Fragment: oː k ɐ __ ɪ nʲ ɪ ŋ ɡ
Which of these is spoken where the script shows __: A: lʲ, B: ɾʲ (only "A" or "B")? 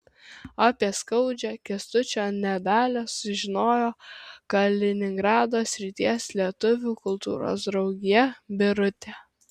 A